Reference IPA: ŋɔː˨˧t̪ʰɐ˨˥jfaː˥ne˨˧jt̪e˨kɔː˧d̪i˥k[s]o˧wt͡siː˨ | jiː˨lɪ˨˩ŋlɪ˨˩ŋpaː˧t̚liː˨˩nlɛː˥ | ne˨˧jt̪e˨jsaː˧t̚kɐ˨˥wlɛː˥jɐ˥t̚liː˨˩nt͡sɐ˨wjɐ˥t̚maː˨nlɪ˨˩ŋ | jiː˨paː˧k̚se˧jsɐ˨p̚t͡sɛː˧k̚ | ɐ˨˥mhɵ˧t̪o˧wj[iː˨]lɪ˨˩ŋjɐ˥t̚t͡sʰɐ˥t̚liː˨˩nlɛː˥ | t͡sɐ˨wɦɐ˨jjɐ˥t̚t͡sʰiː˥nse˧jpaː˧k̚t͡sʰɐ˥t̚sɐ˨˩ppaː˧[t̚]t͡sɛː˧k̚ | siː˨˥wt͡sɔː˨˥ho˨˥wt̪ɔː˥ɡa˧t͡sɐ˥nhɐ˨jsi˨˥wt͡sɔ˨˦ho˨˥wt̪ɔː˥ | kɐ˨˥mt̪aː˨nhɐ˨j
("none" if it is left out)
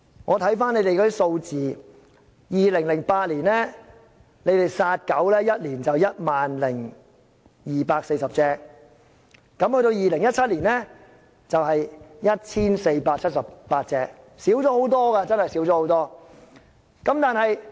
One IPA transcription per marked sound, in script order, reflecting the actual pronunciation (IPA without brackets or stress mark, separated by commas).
s, iː˨, t̚